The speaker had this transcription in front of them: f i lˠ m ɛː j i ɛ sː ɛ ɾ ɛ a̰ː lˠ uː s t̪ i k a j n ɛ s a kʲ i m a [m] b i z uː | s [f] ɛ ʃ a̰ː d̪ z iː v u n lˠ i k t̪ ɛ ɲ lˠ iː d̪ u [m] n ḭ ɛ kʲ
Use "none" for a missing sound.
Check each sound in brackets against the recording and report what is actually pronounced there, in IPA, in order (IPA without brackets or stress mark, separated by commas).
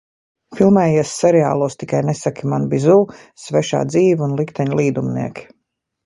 n, v, m